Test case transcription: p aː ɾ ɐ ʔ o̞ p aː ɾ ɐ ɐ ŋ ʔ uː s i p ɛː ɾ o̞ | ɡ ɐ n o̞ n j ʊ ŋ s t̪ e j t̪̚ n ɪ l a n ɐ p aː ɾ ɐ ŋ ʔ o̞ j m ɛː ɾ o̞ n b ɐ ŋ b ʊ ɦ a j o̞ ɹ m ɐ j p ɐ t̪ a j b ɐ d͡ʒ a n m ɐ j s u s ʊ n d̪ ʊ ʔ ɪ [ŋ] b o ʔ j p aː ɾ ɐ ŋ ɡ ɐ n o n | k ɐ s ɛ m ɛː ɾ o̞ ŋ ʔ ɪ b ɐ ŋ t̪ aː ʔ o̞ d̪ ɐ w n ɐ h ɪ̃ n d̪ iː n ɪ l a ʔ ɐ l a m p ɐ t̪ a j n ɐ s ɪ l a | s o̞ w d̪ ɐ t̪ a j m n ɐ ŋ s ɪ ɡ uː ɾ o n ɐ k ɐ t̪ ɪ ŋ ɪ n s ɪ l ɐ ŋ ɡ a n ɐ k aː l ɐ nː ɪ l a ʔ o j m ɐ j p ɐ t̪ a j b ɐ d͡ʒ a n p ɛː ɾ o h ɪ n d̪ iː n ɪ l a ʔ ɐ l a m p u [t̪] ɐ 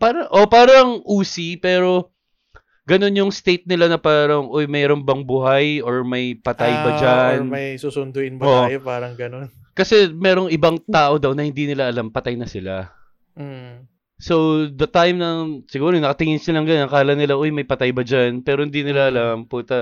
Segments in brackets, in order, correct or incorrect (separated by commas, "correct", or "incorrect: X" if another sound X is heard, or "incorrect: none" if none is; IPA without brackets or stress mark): incorrect: n, correct